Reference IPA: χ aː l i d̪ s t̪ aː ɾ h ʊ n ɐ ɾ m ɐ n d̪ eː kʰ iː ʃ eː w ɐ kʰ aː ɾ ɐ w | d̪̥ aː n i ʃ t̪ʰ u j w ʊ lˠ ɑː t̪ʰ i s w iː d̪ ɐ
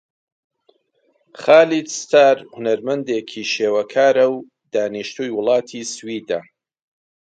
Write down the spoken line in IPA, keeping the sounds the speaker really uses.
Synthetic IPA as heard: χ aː l i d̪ s t̪ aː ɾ h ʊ n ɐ ɾ m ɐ n d̪ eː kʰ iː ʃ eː w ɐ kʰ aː ɾ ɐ w | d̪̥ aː n i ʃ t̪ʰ u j w ʊ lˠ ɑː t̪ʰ i s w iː d̪ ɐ